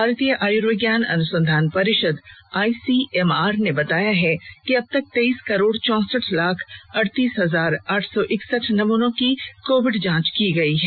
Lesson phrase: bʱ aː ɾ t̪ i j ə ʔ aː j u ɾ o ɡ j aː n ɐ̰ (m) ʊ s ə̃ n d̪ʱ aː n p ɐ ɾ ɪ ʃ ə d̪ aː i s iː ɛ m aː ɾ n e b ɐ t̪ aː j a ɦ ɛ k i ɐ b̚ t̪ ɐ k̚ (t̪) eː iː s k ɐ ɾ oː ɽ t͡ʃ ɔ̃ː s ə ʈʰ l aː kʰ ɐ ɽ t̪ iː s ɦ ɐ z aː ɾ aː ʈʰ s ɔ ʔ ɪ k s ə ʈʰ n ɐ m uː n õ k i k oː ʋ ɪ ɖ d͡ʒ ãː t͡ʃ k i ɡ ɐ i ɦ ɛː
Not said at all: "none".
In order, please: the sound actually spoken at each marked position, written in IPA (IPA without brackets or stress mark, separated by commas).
n, t̪